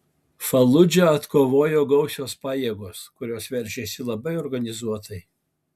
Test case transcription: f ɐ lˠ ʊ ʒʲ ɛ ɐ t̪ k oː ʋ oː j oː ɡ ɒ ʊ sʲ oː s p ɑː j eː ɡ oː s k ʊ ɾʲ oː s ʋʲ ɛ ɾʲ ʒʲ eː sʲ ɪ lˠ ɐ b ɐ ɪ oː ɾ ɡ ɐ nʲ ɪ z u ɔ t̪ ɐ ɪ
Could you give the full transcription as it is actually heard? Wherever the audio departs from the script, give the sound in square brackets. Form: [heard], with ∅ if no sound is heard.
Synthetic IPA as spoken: f ɐ lˠ ʊ [d͡ʒʲ] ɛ ɐ t̪ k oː ʋ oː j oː ɡ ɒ ʊ sʲ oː s p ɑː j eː ɡ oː s k ʊ ɾʲ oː s ʋʲ ɛ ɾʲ ʒʲ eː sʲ ɪ lˠ ɐ b ɐ ɪ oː ɾ ɡ ɐ nʲ ɪ z u ɔ t̪ ɐ ɪ